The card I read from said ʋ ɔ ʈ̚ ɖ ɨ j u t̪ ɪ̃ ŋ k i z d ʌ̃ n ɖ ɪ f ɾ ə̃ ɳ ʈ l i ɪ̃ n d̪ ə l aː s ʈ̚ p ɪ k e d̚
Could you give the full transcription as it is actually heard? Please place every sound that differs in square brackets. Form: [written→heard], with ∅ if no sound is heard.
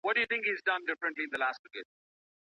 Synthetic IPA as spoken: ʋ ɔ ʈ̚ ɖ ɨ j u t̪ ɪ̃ ŋ k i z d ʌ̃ n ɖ ɪ f ɾ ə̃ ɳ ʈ l i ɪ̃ n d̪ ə l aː s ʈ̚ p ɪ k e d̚